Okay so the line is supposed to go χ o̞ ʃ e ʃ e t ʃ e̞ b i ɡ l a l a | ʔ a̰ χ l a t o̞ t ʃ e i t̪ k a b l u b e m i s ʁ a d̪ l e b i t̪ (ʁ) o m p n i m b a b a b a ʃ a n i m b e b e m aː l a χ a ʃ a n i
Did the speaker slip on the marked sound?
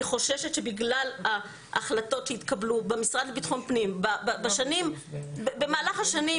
yes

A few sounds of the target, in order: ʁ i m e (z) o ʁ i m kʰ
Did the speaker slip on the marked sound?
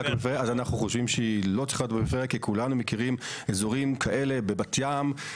no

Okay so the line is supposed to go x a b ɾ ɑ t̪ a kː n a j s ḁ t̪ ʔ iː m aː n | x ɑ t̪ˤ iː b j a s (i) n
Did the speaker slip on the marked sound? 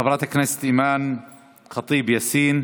yes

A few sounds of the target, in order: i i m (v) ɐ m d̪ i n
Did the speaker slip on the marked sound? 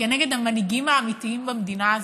yes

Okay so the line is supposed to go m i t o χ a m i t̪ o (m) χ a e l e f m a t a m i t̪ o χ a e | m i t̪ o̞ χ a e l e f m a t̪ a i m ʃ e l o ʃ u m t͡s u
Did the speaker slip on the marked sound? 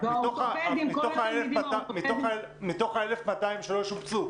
yes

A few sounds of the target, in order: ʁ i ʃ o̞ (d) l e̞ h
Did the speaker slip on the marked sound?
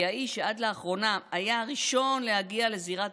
yes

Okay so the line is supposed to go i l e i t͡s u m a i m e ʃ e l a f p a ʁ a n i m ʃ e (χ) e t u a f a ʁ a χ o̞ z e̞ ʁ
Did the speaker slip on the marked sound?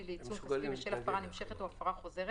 no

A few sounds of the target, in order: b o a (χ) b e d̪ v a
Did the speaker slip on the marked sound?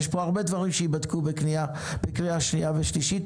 yes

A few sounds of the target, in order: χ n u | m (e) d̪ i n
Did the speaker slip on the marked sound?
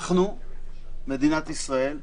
no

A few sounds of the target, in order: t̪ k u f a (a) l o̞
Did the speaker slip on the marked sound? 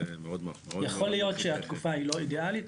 yes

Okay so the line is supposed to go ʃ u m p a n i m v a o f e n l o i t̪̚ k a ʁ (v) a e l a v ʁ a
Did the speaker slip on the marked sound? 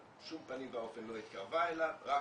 no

